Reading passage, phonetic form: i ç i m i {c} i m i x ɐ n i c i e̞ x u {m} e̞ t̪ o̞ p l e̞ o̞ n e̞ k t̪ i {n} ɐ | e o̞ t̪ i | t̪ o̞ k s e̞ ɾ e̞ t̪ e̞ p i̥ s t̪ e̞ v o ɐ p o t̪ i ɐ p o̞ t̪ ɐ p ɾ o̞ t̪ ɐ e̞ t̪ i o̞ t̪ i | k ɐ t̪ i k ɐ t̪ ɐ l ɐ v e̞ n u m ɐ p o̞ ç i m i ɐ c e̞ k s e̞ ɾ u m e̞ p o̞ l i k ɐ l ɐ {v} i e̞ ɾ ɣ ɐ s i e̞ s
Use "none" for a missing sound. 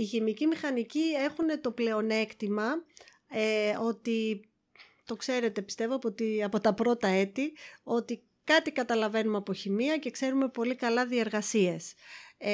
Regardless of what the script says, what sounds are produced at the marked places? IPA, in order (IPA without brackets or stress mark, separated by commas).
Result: c, n, m, ð